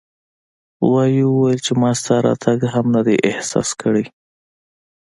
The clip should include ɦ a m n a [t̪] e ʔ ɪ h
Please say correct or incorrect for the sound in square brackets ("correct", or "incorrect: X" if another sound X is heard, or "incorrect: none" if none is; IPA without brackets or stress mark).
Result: incorrect: d̪